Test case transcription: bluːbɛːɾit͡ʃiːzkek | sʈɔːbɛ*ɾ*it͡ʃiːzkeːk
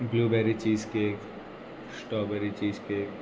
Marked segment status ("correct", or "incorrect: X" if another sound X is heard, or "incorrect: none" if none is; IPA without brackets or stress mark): correct